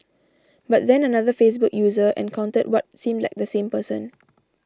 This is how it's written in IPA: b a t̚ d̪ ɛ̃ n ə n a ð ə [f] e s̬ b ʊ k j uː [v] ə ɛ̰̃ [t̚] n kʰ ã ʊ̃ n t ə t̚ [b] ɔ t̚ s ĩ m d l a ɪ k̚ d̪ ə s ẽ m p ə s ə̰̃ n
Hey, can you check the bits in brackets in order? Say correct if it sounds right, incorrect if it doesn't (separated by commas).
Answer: correct, incorrect, incorrect, incorrect